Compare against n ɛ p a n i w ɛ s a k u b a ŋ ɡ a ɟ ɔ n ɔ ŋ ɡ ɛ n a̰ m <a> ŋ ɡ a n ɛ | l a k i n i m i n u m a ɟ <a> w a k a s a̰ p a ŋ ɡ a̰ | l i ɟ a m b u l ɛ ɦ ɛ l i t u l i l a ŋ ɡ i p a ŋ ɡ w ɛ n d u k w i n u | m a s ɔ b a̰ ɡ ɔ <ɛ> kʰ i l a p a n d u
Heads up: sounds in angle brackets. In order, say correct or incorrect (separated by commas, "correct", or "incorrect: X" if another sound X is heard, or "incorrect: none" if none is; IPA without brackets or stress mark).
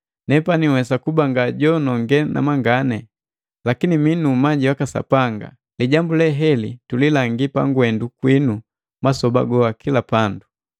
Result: correct, incorrect: i, incorrect: a